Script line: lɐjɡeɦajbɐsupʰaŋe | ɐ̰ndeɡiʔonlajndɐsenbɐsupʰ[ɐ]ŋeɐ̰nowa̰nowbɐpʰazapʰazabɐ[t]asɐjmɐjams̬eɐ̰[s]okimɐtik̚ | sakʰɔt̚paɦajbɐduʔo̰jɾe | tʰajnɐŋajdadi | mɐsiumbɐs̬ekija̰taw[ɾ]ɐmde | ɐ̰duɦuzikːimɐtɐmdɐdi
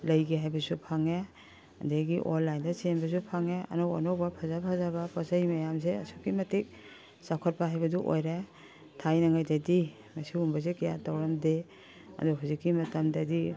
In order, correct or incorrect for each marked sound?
incorrect: a, incorrect: p, correct, correct

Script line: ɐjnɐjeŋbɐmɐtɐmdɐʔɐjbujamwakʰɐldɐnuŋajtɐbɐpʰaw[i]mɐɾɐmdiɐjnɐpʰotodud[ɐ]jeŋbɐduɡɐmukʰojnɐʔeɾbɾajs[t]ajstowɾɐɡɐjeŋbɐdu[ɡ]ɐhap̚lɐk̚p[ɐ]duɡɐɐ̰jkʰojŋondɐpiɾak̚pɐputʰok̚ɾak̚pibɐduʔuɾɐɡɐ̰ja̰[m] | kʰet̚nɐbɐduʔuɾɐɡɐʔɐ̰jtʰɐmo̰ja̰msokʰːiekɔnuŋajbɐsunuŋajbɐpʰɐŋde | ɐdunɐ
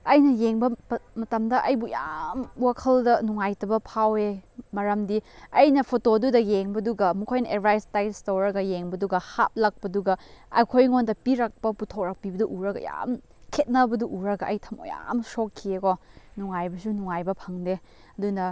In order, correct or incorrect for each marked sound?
incorrect: e, correct, correct, correct, correct, correct

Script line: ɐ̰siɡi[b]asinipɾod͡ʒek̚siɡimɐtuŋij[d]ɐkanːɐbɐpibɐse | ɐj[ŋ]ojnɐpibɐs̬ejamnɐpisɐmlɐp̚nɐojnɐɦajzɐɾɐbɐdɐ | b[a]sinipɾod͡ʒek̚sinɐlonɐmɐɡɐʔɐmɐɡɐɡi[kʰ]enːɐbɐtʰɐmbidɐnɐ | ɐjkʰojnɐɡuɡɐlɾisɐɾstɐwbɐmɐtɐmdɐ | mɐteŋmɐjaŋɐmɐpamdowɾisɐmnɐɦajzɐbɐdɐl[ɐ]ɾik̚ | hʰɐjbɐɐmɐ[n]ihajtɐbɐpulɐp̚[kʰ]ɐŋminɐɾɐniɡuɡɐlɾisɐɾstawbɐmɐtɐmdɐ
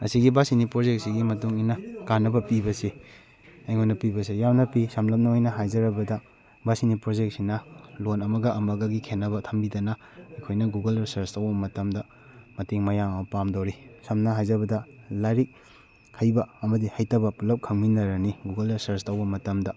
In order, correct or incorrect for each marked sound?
correct, incorrect: n, correct, correct, correct, incorrect: a, incorrect: d, correct

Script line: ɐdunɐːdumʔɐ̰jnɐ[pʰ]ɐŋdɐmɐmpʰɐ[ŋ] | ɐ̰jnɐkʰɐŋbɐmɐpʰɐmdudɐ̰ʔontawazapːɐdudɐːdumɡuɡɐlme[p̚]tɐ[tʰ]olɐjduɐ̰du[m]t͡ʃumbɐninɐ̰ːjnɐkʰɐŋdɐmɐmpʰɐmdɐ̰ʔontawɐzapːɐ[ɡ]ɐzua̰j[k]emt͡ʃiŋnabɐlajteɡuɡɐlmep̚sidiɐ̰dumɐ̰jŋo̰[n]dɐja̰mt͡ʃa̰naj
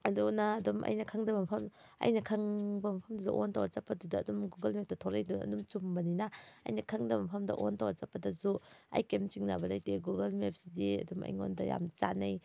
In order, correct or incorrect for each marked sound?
incorrect: kʰ, incorrect: m, correct, correct, correct, incorrect: d, correct, correct

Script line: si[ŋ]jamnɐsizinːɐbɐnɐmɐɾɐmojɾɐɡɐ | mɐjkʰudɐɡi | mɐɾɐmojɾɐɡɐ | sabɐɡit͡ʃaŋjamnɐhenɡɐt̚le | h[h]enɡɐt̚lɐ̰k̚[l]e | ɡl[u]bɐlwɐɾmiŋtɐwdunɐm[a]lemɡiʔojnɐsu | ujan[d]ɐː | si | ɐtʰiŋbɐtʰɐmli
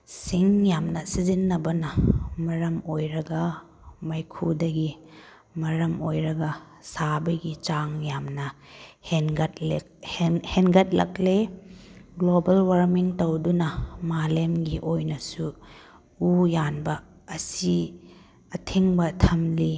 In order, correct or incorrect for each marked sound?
correct, correct, correct, incorrect: o, correct, incorrect: b

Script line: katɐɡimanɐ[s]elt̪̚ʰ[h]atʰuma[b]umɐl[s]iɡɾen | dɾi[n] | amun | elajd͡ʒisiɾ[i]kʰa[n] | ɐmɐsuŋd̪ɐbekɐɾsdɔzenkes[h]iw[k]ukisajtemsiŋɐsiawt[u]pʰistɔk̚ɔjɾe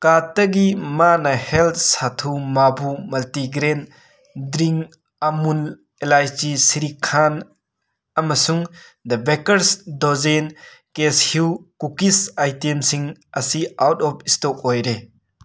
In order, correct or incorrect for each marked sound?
incorrect: h, incorrect: s, correct, incorrect: t, incorrect: ŋ, correct, correct, correct, correct, incorrect: ɔ

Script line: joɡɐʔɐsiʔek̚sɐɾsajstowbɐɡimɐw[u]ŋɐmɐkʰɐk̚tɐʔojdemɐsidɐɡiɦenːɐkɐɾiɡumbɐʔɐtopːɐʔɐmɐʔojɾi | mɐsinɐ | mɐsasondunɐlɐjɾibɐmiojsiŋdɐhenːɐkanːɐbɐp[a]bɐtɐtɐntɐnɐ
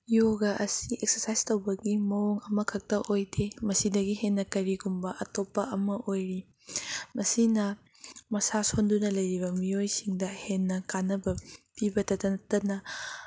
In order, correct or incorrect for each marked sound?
incorrect: o, incorrect: i

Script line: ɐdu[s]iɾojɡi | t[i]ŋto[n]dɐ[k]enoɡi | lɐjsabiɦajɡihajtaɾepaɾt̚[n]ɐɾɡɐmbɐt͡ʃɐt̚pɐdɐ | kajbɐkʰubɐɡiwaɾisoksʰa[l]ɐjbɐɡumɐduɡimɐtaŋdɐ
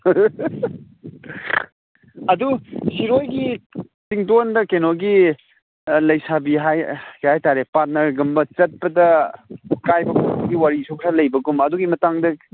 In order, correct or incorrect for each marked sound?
correct, correct, correct, correct, correct, correct

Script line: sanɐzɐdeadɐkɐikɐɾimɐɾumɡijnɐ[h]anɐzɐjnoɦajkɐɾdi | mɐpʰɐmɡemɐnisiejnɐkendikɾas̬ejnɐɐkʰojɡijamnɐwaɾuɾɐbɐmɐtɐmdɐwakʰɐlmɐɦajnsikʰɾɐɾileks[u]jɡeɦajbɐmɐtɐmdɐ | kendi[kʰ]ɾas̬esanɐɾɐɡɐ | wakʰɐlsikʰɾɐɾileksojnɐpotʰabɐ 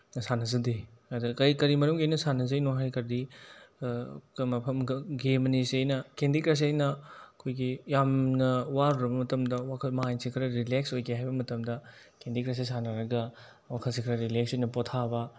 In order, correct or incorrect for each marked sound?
incorrect: s, incorrect: o, incorrect: k

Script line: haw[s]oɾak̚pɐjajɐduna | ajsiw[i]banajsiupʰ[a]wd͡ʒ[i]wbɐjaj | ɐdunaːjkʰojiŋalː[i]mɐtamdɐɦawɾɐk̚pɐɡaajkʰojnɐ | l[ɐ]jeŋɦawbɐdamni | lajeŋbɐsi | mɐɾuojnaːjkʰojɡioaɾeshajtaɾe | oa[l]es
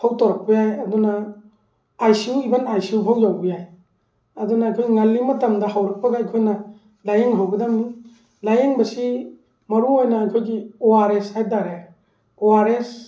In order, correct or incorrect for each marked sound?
incorrect: t, correct, correct, incorrect: a, correct, incorrect: a, incorrect: ɾ

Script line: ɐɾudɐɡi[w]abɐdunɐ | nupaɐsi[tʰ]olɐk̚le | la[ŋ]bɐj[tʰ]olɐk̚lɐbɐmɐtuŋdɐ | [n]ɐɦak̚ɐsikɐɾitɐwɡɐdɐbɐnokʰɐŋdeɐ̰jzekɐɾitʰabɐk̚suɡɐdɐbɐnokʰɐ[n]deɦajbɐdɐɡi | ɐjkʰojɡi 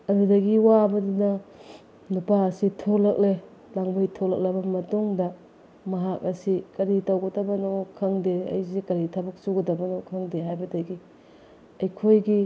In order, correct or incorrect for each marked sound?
correct, correct, correct, correct, incorrect: m, incorrect: ŋ

